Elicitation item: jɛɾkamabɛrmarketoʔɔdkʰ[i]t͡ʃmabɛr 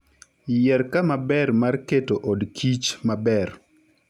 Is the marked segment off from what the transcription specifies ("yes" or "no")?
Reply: no